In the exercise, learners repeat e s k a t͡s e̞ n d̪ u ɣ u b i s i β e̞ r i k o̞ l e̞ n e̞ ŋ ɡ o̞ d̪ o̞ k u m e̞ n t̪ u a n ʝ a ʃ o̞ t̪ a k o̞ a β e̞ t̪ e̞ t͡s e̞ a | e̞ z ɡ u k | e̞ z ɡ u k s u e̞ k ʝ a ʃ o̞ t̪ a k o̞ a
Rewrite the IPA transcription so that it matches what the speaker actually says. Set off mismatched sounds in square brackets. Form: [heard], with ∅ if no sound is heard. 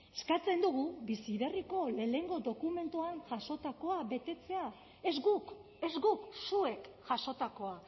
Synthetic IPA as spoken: e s k a t͡s e̞ n d̪ u ɣ u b i s i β e̞ r i k o̞ l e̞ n e̞ ŋ ɡ o̞ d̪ o̞ k u m e̞ n t̪ u a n ʝ a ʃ o̞ t̪ a k o̞ a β e̞ t̪ e̞ t͡s e̞ a | e̞ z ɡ u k | e̞ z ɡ u k s u e̞ k ʝ a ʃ o̞ t̪ a k o̞ a